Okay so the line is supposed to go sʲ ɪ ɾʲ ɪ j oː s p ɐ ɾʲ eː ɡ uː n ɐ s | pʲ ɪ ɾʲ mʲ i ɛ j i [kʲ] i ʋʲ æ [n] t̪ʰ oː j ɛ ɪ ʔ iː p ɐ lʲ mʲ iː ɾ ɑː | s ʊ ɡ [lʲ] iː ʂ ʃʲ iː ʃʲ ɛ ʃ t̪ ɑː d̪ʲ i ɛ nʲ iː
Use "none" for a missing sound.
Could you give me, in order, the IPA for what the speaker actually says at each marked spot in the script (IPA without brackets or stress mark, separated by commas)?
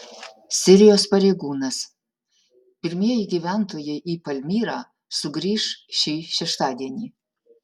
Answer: ɡʲ, n, ɾʲ